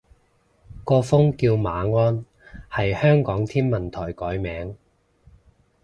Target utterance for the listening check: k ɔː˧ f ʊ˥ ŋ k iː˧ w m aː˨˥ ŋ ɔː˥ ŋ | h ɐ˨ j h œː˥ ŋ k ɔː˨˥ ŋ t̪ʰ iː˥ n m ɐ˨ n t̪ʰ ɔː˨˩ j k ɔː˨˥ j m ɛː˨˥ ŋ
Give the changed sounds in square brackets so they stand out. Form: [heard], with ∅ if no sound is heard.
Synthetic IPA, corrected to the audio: k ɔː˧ f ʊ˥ ŋ k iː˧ w m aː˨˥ ŋ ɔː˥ [n] | h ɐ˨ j h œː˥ ŋ k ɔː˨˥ ŋ t̪ʰ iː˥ n m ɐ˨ n t̪ʰ ɔː˨˩ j k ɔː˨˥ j m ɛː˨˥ ŋ